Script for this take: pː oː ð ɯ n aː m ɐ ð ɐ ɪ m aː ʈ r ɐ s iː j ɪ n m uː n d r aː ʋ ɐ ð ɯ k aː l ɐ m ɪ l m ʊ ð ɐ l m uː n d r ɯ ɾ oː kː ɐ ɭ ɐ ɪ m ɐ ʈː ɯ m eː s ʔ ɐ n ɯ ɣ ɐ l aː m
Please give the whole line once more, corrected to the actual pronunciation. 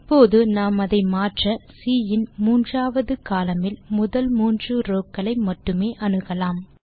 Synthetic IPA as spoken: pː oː ð ɯ n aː m ɐ ð ɐ ɪ m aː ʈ r ɐ s iː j ɪ n m uː n d r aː ʋ ɐ ð ɯ k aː l ɐ m ɪ l m ʊ ð ɐ l m uː n d r ɯ ɾ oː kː ɐ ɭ ɐ ɪ m ɐ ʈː ɯ m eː ʔ ɐ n ɯ ɣ ɐ l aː m